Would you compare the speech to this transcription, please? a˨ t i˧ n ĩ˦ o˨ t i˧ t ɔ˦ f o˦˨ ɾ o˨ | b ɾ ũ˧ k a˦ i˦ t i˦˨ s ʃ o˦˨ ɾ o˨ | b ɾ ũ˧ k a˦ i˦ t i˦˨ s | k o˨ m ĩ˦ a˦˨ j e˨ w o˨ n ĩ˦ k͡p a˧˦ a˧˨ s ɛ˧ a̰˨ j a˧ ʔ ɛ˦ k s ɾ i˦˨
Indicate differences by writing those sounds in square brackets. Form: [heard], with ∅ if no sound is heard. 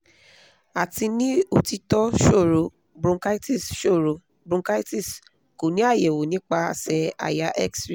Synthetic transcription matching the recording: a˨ t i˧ n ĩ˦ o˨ t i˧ t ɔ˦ [ʃ] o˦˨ ɾ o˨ | b ɾ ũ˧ k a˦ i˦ t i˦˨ s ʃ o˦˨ ɾ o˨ | b ɾ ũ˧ k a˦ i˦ t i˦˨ s | k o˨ [n] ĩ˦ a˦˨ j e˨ w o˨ n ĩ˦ k͡p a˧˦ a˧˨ s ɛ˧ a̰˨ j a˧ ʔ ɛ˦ k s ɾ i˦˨